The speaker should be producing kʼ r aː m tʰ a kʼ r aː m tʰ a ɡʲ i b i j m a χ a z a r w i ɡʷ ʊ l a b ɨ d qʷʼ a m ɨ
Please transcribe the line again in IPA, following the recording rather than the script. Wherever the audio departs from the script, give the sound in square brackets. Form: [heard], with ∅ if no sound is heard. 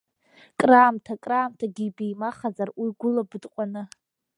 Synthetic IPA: kʼ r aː m tʰ a kʼ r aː m tʰ a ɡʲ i b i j m a χ a z a r w i ɡʷ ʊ l a b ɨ d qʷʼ a [n] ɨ